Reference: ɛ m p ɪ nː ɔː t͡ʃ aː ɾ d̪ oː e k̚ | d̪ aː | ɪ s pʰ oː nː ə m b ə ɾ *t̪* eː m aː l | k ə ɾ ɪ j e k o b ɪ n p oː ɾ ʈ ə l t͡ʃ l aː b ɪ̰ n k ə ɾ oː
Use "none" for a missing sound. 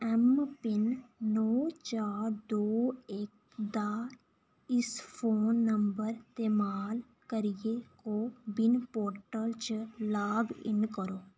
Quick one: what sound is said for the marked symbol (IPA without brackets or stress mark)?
t̪